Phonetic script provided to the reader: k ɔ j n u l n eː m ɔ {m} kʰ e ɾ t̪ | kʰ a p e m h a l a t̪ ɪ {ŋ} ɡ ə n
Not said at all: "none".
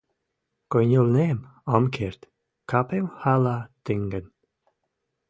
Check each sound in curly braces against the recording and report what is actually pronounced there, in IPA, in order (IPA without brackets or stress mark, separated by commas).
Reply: m, ŋ